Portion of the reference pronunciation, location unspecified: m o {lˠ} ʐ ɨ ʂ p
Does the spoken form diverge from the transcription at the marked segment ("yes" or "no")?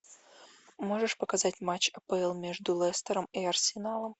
yes